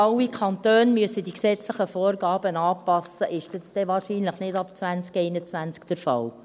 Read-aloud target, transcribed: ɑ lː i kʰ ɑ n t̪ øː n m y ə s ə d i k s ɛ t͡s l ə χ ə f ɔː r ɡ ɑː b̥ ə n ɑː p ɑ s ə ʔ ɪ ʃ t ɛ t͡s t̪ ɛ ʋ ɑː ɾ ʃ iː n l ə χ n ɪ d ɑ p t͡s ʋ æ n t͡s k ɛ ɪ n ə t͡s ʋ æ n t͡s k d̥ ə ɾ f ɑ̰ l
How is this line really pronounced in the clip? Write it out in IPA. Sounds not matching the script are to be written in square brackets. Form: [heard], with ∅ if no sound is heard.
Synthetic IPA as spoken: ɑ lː i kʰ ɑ n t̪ øː n m y ə s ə d i k s ɛ t͡s l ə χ ə f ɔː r ɡ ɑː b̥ ə n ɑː p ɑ s ə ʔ ɪ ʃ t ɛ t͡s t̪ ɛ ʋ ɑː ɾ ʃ iː n l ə χ n ɪ d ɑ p t͡s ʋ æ n t͡s k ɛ ɪ n ə t͡s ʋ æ n t͡s k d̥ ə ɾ f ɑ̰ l